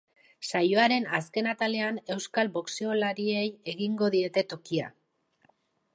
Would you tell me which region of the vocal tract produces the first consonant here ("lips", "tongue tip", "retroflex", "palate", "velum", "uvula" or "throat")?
tongue tip